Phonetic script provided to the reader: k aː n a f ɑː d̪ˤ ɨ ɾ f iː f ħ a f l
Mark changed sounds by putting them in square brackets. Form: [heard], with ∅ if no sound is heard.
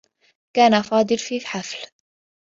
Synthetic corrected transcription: k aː n a f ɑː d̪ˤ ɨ [l] f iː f ħ a f l

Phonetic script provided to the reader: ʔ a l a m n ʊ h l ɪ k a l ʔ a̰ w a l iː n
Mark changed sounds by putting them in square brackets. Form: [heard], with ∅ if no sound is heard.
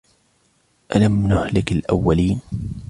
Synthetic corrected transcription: ʔ a l a m n ʊ h l ɪ k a l ʔ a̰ [wː] a l iː n

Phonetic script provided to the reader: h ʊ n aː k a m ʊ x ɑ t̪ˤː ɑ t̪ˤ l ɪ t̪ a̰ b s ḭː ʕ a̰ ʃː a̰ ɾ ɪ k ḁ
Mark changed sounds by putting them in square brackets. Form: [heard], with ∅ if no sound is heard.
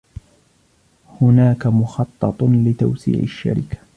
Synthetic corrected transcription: h ʊ n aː k a m ʊ x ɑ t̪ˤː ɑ t̪ˤ l ɪ t̪ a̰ [w] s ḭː ʕ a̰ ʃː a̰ ɾ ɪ k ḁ

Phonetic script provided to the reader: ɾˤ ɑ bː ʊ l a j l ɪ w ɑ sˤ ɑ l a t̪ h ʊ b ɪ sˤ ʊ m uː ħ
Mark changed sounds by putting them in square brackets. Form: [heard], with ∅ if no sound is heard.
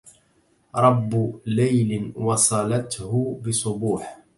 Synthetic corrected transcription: ɾˤ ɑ bː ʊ l a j l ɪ w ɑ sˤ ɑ l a t̪ h ʊ b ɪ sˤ ʊ [b] uː ħ

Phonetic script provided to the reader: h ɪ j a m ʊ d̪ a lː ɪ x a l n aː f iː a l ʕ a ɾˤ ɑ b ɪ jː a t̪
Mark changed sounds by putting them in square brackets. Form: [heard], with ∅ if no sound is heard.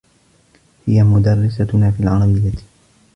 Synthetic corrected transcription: h ɪ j a m ʊ d̪ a [rː] ɪ [s] a [∅] n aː f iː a l ʕ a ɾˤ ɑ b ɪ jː a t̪

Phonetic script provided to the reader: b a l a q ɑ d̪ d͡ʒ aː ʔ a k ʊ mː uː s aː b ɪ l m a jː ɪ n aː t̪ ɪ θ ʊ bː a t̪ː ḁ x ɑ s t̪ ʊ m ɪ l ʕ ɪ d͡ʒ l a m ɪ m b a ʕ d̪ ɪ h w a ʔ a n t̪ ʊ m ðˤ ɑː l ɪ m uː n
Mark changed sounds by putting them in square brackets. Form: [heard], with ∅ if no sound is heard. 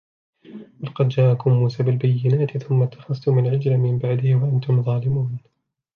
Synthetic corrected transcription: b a l [ɑ] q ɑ d̪ d͡ʒ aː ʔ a k ʊ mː uː s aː b ɪ l [b] a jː ɪ n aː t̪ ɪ θ ʊ [mː] a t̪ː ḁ x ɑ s t̪ ʊ m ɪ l ʕ ɪ d͡ʒ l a m ɪ m b a ʕ d̪ ɪ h w a ʔ a n t̪ ʊ m ðˤ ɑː l ɪ m uː n

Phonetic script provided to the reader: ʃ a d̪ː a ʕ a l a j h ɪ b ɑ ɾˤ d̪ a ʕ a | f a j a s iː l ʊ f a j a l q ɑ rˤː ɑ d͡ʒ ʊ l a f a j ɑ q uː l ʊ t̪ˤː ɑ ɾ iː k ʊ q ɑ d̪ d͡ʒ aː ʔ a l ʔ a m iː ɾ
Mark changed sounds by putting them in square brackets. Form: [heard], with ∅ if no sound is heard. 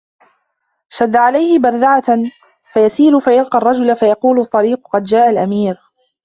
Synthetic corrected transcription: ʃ a d̪ː a ʕ a l a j h ɪ b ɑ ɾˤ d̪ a ʕ a | f a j a s iː l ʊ f a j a l q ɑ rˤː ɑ d͡ʒ ʊ l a f a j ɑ q uː l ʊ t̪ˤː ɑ ɾ iː [q] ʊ q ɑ d̪ d͡ʒ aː ʔ a l ʔ a m iː ɾ

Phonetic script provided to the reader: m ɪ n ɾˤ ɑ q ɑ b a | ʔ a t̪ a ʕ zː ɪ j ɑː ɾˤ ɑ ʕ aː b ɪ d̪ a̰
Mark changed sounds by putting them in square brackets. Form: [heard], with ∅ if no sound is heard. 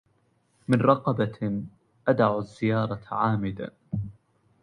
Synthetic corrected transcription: m ɪ n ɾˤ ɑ q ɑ b a | ʔ a [d̪] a ʕ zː ɪ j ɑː ɾˤ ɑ ʕ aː [m] ɪ d̪ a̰

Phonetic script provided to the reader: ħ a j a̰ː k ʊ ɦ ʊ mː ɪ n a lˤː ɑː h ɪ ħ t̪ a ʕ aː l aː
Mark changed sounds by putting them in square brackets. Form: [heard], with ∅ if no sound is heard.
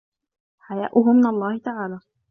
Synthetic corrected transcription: ħ a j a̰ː [ʔ] ʊ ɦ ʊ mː ɪ n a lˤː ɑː h ɪ [∅] t̪ a ʕ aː l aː

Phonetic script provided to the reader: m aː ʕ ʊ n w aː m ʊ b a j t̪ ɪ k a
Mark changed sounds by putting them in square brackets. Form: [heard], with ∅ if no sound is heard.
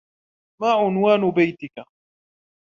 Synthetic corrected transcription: m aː ʕ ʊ n w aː [n] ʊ b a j t̪ ɪ k a

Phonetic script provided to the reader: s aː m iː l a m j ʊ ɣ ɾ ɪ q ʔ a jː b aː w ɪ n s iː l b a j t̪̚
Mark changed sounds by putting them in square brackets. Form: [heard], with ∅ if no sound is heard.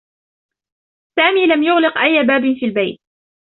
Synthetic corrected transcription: s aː m iː l a m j ʊ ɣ [l] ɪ q ʔ a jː b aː [b] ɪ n [f] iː l b a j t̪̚

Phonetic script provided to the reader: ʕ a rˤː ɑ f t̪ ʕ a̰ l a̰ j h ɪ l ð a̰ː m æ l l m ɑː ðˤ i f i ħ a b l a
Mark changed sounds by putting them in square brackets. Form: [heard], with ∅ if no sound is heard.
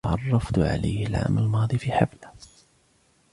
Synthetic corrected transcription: ʕ [ɑ] rˤː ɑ f t̪ ʕ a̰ l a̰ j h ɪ l [ʕ] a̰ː m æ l l m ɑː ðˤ i f i ħ a b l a

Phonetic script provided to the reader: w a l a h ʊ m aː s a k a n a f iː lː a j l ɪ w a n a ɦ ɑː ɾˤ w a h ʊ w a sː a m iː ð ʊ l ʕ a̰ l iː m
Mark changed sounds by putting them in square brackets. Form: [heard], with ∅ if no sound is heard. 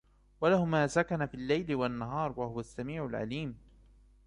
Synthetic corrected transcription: w a l a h ʊ m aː s a k a n a f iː lː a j l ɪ w a [nː] a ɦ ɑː ɾˤ w a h ʊ w a sː a m iː [ʕ] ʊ l ʕ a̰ l iː m

